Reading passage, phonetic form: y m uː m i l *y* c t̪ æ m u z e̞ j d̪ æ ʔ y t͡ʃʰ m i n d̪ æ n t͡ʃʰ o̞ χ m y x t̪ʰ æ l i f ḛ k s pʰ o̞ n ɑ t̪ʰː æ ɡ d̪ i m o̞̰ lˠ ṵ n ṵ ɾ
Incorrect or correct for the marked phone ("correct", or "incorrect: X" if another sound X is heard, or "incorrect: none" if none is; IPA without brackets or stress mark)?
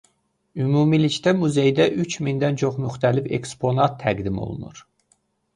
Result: incorrect: i